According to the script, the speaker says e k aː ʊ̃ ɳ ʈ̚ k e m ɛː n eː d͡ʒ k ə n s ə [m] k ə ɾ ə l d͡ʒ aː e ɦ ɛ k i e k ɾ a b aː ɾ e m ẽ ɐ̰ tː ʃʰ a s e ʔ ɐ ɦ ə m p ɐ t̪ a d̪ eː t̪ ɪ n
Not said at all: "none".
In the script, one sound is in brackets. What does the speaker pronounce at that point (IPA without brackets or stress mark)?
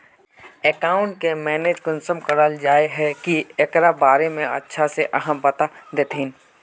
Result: m